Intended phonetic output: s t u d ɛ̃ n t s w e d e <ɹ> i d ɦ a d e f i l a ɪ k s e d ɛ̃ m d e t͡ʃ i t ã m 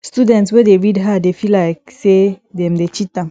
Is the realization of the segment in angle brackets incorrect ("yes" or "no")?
no